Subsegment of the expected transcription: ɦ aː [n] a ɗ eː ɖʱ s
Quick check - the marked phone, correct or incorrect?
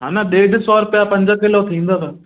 correct